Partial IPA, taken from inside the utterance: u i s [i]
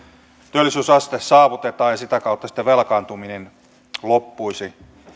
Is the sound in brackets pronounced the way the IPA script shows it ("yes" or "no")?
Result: yes